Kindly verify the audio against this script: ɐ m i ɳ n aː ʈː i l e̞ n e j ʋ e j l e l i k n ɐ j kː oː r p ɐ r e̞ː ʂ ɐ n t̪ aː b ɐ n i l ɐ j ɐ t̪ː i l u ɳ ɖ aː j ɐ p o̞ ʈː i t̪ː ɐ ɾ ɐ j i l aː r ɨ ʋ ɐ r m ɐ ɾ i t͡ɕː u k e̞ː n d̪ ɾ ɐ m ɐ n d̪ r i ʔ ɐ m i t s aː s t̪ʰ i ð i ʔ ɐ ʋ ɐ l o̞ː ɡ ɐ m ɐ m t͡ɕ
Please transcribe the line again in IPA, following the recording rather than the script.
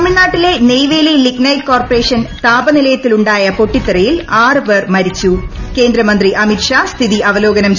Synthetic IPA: ɐ m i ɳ n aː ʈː i l e̞ n e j ʋ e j l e l i k n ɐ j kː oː r p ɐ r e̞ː ʂ ɐ n t̪ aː b ɐ n i l ɐ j ɐ t̪ː i l u ɳ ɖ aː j ɐ p o̞ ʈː i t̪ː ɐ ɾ ɐ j i l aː r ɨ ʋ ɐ r m ɐ ɾ i t͡ɕː u k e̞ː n d̪ ɾ ɐ m ɐ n d̪ r i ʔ ɐ m i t ʂ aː s t̪ʰ i ð i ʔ ɐ ʋ ɐ l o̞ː ɡ ɐ n ɐ m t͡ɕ

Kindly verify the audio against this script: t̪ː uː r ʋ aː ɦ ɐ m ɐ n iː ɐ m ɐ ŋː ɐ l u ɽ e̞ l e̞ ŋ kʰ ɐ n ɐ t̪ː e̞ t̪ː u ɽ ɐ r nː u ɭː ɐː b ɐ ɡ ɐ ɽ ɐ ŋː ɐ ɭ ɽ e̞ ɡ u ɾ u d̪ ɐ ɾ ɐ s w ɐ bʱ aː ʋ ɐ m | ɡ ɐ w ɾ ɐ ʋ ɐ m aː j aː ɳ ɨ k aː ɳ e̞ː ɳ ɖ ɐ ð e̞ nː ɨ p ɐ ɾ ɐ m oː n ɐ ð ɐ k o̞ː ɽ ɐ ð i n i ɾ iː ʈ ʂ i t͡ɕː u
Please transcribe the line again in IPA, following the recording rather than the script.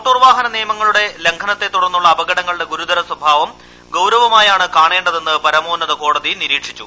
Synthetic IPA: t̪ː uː r ʋ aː ɦ ɐ n ɐ n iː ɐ m ɐ ŋː ɐ ɭ u ɽ e̞ l e̞ ŋ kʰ ɐ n ɐ t̪ː e̞ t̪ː u ɽ ɐ r nː u ɭː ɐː b ɐ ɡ ɐ ɽ ɐ ŋː ɐ ɭ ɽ e̞ ɡ u ɾ u d̪ ɐ ɾ ɐ s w ɐ bʱ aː ʋ ɐ m | ɡ ɐ w ɾ ɐ ʋ ɐ m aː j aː ɳ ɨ k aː ɳ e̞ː ɳ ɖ ɐ ð e̞ nː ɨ p ɐ ɾ ɐ m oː n ɐ ð ɐ k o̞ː ɽ ɐ ð i n i ɾ iː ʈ ʂ i t͡ɕː u

